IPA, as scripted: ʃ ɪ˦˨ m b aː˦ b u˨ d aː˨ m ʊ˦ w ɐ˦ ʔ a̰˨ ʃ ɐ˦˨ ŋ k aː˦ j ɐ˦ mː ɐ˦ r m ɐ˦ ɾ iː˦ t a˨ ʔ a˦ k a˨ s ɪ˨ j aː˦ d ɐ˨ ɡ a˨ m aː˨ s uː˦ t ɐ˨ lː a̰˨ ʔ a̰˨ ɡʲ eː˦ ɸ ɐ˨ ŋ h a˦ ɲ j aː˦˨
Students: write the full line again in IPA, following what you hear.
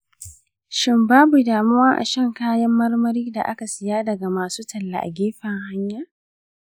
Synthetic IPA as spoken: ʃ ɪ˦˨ m b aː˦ b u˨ d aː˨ m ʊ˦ w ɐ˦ ʔ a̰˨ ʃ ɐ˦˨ ŋ k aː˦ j ɐ˦ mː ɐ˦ r m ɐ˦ ɾ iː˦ d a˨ ʔ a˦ k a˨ s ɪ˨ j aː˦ d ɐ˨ ɡ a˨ m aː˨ s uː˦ t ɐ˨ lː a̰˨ ʔ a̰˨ ɡʲ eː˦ ɸ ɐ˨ ŋ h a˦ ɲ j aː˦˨